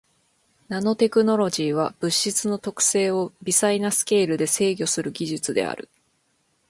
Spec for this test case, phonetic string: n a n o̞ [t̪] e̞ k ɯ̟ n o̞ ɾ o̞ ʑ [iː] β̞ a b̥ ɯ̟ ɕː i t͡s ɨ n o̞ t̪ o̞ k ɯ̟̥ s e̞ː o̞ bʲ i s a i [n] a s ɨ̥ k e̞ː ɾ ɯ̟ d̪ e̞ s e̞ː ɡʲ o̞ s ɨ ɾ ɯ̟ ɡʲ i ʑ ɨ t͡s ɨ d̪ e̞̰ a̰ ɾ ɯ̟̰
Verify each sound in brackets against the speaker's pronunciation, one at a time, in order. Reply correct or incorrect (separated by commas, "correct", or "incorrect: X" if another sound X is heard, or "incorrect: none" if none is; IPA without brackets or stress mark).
correct, correct, correct